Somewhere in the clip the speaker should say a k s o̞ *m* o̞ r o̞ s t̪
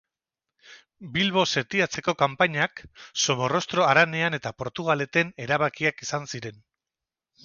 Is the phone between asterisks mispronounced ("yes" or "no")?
no